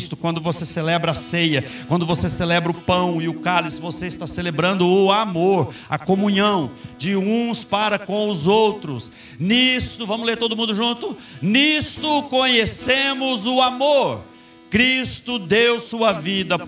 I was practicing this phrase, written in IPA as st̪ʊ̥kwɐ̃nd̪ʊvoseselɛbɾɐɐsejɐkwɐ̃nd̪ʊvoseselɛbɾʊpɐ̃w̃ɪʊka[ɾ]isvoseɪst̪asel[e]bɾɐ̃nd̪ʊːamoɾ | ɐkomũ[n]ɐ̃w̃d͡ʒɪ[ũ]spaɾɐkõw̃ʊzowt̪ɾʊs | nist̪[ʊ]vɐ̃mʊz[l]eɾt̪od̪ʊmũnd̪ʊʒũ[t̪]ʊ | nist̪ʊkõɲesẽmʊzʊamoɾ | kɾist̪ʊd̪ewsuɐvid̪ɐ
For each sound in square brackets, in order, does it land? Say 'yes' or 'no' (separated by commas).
no, yes, no, yes, yes, yes, yes